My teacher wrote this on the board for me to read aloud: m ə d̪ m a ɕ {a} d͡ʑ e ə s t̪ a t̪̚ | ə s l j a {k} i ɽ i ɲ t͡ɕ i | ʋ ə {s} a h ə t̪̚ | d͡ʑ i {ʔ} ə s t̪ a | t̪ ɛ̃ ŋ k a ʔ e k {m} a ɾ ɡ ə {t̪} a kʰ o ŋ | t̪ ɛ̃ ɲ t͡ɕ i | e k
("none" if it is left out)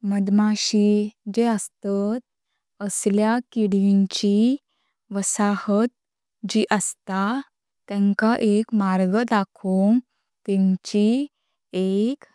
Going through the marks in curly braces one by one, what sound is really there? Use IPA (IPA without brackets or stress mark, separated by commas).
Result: i, k, s, ʔ, m, d̪